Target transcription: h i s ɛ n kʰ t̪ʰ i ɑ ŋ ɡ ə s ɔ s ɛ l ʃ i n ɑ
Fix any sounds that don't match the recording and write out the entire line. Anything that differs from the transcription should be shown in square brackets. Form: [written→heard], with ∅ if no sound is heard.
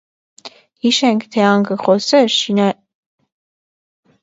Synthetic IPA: h i [s→ʃ] ɛ [n→ŋ] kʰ t̪ʰ [i→ɛ] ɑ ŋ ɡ ə [s→χ] ɔ s ɛ [l→ɾ] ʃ i n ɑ